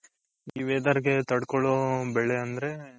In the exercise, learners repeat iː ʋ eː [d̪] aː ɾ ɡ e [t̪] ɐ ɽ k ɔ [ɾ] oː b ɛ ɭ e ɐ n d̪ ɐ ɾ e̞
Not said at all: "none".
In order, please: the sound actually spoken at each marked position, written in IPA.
d̪, t̪, ɭ

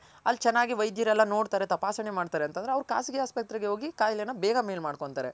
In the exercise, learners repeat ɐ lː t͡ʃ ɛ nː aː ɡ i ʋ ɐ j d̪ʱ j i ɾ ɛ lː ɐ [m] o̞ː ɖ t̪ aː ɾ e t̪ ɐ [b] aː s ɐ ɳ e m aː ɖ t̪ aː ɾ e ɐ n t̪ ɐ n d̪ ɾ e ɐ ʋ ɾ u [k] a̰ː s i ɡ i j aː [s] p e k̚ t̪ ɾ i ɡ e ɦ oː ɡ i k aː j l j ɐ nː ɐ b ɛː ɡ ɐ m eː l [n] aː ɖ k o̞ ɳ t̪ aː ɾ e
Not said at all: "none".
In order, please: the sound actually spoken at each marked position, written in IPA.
n, p, k, s, m

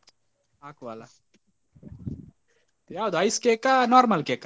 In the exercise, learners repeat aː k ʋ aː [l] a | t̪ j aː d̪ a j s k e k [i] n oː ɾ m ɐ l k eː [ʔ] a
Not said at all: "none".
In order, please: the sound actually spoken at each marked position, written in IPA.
l, a, k

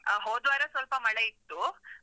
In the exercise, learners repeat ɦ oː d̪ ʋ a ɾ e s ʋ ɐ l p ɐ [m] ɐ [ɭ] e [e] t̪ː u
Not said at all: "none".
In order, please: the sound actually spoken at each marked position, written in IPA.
m, ɭ, i

